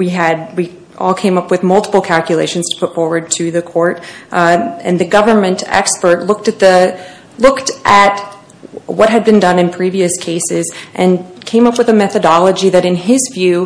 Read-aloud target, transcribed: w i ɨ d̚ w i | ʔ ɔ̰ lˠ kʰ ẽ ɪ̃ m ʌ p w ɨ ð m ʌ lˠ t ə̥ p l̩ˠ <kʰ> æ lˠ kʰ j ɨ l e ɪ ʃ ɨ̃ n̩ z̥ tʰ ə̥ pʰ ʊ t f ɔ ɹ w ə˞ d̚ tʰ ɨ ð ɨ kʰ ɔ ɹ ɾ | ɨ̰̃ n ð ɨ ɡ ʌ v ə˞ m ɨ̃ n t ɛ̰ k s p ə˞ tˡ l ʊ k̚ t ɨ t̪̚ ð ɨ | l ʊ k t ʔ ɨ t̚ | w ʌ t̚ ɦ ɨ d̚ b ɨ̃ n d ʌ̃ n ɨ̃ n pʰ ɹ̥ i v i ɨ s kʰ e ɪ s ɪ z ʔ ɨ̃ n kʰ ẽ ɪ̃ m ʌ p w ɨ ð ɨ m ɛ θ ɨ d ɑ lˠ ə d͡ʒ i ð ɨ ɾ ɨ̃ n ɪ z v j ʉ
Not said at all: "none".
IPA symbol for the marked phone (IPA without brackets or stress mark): kʰ